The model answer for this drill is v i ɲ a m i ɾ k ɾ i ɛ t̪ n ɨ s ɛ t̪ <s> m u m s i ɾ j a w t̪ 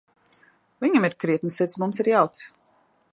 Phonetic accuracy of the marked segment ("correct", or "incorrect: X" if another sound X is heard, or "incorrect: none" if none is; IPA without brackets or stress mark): correct